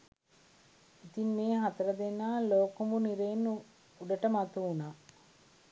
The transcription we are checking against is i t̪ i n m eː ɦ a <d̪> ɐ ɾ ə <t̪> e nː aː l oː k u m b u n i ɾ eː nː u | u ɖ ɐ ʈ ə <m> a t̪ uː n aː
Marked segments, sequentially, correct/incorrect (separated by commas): incorrect, incorrect, correct